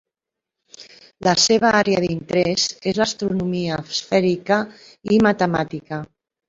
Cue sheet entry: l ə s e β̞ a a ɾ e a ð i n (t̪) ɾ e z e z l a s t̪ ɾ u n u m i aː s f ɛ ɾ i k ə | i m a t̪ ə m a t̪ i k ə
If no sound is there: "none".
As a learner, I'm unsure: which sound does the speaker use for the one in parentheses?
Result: t̪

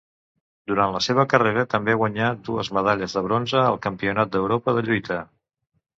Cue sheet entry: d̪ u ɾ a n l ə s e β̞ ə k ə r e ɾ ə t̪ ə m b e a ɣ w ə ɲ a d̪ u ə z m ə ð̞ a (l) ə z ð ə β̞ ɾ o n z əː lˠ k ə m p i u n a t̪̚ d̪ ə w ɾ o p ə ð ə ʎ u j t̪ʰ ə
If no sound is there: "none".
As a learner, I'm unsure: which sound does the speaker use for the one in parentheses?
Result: ʎ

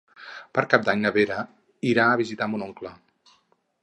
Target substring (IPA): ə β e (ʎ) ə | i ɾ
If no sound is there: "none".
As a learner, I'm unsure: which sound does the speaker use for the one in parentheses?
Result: ɾ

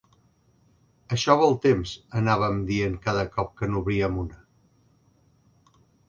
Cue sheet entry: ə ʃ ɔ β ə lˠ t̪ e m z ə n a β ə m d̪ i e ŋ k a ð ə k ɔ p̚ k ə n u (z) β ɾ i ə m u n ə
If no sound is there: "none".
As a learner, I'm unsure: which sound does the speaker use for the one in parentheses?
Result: none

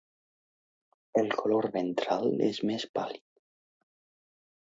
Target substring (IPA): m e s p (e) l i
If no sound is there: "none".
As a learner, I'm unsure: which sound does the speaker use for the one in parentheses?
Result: a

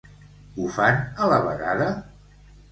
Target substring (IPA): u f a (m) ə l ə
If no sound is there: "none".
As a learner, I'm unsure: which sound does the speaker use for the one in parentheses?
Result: n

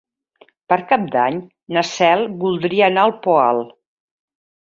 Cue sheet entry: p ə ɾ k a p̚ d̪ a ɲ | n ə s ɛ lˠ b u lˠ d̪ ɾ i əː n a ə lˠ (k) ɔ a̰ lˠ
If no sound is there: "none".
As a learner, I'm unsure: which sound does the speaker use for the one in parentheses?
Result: p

